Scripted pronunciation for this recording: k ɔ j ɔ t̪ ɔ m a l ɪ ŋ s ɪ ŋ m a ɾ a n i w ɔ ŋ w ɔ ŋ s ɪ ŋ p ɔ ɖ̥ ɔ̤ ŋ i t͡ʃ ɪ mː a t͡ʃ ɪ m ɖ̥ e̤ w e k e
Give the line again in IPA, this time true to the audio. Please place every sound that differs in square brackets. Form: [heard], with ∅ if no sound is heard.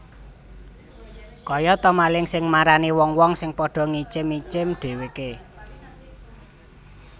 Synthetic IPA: k ɔ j ɔ t̪ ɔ m a l ɪ ŋ s ɪ ŋ m a ɾ a n i w ɔ ŋ w ɔ ŋ s ɪ ŋ p ɔ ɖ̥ ɔ̤ ŋ i t͡ʃ ɪ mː [i] t͡ʃ ɪ m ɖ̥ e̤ w e k e